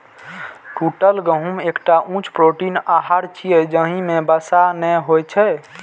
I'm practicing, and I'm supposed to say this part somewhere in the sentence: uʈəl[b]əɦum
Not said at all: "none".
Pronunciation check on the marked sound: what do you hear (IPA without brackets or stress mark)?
ɡ